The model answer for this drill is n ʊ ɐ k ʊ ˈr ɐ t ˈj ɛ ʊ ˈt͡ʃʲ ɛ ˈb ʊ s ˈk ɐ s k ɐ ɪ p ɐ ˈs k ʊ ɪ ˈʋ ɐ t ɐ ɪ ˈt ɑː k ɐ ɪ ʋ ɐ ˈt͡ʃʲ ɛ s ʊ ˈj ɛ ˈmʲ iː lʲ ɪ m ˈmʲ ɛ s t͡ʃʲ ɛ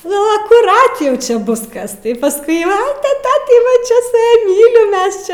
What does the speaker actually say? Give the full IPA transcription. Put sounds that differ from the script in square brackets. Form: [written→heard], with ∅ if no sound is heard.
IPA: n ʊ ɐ k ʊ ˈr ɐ t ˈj ɛ ʊ ˈt͡ʃʲ ɛ ˈb ʊ s ˈk ɐ s [k→t] ɐ ɪ p ɐ ˈs k ʊ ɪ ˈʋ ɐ t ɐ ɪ ˈt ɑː [k→t] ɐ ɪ ʋ ɐ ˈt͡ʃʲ ɛ s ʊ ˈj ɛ ˈmʲ iː lʲ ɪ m ˈmʲ ɛ s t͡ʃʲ ɛ